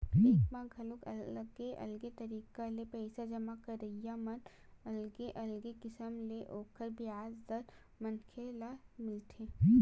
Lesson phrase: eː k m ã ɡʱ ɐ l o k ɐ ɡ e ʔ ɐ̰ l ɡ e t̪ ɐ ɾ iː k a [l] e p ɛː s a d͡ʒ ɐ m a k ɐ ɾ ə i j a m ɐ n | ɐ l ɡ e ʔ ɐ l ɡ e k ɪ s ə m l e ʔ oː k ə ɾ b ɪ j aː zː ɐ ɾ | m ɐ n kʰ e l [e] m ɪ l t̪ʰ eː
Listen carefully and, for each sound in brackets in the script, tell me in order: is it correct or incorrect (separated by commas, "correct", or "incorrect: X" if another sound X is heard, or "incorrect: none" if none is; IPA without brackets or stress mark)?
correct, incorrect: a